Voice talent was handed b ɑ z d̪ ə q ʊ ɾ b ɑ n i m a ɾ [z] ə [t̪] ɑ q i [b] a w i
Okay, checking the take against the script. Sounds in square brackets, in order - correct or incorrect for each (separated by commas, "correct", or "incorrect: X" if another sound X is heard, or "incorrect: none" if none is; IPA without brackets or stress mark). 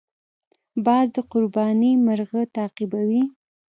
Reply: incorrect: ɣ, correct, correct